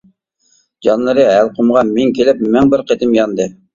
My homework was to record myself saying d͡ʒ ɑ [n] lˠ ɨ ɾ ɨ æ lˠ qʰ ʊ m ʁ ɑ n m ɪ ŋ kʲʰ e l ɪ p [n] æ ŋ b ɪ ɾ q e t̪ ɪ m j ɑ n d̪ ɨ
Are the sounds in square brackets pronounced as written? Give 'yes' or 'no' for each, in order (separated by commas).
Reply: yes, no